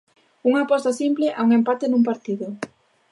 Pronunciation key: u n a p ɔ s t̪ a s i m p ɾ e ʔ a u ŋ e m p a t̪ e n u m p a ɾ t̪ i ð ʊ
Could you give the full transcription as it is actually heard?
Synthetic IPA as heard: u ŋ a p ɔ s t̪ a s i m p l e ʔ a u ŋ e m p a t̪ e n u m p a ɾ t̪ i ð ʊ

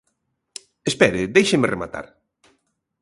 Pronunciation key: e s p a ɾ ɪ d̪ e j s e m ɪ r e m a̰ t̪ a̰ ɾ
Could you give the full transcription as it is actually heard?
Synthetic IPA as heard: e s p ɛ ɾ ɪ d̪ e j ʃ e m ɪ r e m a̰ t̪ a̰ ɾ

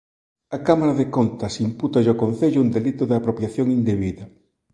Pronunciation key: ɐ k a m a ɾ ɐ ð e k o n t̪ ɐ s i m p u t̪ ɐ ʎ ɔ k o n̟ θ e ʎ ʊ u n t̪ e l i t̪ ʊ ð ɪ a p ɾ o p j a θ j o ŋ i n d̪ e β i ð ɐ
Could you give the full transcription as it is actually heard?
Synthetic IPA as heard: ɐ k a m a ɾ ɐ ð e k o n t̪ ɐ s i m p u t̪ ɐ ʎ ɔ k o n̟ θ e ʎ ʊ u n d̪ e l i t̪ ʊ ð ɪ a p ɾ o p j a θ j o ŋ i n d̪ e β i ð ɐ

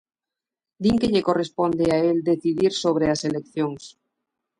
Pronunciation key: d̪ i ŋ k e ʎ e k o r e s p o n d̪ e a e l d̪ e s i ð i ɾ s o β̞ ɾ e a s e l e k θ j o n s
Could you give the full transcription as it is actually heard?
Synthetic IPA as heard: d̪ i ŋ k e ʎ e k o r e s p o n d̪ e a e l d̪ e θ i ð i ɾ s o β̞ ɾ e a s e l e k θ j o ŋ s

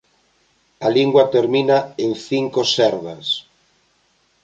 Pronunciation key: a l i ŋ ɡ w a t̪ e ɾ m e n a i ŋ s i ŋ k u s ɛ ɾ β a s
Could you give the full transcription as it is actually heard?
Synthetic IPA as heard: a l i ŋ ɡ w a t̪ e ɾ m i n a e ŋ θ i ŋ k o s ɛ ɾ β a s

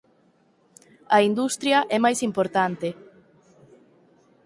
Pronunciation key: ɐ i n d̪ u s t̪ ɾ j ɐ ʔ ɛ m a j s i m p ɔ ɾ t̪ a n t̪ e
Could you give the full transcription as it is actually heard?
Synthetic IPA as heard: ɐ i n d̪ u s t̪ ɾ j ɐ ʔ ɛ m a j s i m p o ɾ t̪ a n t̪ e

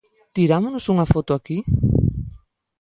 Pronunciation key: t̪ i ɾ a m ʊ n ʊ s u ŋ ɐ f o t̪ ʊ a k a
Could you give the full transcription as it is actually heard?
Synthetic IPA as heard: t̪ i ɾ a m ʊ n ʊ s u ŋ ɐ f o t̪ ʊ a k i

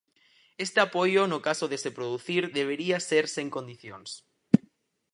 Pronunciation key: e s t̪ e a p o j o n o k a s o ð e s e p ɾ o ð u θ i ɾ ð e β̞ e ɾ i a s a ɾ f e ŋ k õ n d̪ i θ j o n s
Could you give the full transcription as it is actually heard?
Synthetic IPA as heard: e s t̪ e a p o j o n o k a s o ð e s e p ɾ o ð u θ i ɾ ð e β̞ e ɾ i a s e ɾ s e ŋ k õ n d̪ i θ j o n s

